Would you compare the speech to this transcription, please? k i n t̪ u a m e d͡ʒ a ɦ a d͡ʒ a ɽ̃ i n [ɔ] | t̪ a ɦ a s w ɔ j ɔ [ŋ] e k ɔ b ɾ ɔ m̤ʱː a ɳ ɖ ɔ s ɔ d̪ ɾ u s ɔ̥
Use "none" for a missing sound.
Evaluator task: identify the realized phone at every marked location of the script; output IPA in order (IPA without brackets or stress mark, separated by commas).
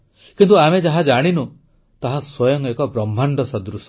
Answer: u, ŋ